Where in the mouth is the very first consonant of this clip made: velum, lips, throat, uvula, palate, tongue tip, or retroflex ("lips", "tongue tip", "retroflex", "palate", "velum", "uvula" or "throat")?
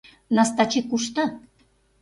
tongue tip